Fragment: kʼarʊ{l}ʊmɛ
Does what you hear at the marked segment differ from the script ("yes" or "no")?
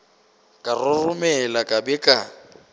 yes